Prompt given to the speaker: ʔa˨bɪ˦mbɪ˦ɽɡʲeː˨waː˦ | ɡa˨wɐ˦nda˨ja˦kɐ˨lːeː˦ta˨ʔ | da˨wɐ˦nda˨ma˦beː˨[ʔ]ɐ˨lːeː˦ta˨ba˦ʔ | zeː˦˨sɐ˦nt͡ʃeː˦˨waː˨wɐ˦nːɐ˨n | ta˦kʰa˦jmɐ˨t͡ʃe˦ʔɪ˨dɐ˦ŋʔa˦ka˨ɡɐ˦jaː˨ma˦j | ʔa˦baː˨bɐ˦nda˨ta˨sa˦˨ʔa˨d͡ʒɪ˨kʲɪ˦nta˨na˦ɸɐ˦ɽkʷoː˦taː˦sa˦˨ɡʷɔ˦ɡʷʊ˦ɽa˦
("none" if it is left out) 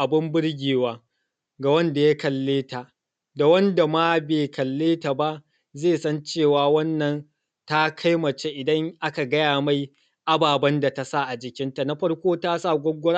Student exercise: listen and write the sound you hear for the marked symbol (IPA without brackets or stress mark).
k